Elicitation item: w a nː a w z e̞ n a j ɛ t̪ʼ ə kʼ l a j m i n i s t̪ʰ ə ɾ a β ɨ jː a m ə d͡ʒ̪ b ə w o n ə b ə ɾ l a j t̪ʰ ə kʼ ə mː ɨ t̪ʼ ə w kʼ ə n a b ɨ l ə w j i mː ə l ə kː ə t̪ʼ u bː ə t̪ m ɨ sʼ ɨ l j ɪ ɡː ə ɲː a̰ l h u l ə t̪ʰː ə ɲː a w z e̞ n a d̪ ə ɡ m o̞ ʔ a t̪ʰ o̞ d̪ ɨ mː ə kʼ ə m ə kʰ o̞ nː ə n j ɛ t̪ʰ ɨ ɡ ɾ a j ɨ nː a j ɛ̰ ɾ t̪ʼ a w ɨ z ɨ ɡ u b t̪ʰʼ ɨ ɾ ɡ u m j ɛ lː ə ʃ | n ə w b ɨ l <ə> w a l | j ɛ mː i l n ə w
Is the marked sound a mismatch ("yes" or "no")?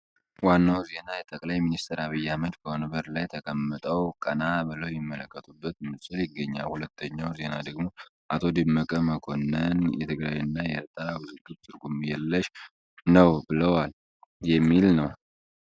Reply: no